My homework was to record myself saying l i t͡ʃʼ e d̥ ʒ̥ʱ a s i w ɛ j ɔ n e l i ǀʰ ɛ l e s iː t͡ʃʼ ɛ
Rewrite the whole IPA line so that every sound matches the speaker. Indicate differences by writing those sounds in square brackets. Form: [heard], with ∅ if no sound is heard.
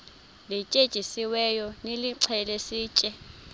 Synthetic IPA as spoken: l i t͡ʃʼ e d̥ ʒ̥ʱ [i] s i w ɛ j ɔ n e l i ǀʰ ɛ l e s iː t͡ʃʼ ɛ